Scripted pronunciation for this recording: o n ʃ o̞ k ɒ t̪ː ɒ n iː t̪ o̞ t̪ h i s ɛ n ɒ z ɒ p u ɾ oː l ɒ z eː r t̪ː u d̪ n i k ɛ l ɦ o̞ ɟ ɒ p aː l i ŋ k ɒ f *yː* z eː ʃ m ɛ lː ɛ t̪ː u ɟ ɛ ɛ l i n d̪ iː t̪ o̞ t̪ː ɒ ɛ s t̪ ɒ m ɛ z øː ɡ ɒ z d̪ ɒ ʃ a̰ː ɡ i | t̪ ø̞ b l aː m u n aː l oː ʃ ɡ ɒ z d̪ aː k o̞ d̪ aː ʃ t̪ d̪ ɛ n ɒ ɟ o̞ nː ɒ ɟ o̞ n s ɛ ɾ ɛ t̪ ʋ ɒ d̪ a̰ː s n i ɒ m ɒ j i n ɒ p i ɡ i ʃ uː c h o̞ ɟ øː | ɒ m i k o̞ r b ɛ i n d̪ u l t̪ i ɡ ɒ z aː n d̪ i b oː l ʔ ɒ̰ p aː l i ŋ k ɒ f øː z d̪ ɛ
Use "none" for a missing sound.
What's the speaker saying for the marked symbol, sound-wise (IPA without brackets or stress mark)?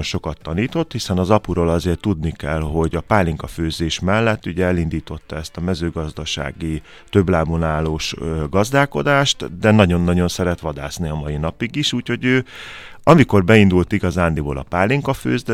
øː